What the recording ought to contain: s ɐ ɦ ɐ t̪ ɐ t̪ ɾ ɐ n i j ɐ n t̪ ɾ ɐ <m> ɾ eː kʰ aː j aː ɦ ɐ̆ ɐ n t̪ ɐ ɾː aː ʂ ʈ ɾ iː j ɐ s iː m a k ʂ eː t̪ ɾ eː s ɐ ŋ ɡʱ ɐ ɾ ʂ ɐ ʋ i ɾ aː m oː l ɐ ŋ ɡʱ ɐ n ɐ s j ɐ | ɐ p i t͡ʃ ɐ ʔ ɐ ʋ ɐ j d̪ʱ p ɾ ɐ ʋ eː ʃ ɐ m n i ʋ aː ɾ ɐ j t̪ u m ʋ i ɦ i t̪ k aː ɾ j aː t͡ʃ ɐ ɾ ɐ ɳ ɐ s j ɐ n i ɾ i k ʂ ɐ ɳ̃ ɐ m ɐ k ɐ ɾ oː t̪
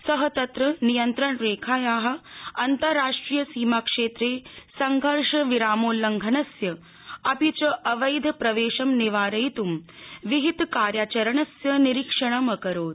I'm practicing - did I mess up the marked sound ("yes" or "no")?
yes